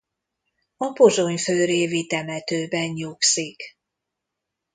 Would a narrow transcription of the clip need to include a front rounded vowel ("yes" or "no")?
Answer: yes